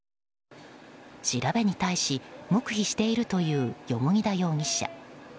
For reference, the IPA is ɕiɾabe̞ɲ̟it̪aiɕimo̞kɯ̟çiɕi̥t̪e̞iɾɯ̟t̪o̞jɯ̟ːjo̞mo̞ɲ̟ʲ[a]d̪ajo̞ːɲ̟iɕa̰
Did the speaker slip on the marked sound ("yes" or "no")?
yes